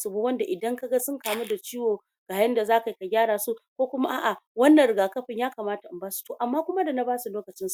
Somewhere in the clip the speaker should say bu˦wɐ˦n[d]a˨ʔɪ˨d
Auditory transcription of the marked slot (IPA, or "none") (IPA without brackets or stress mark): d